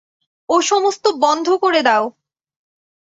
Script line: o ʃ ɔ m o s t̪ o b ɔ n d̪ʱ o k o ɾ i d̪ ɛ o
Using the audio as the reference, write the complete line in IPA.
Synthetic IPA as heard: o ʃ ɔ m o s t̪ o b ɔ n d̪ʱ o k o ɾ e d̪ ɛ o